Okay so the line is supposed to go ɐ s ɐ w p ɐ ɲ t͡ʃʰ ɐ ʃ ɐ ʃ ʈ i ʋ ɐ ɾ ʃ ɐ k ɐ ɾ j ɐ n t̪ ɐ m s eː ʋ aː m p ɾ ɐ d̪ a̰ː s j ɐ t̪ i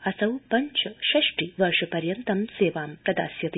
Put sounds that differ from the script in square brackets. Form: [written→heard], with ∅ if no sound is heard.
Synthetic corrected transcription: ɐ s ɐ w p ɐ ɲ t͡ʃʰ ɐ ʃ ɐ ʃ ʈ i ʋ ɐ ɾ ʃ ɐ [k→p] ɐ ɾ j ɐ n t̪ ɐ m s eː ʋ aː m p ɾ ɐ d̪ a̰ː s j ɐ t̪ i